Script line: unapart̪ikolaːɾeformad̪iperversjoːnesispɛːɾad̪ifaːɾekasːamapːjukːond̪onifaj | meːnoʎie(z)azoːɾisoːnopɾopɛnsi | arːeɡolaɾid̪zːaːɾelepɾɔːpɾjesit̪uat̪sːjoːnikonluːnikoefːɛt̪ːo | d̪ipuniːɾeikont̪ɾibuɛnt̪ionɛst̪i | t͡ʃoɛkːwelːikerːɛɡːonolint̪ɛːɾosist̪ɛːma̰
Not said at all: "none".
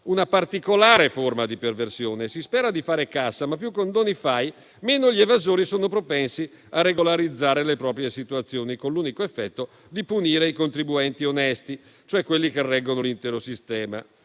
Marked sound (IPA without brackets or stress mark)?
v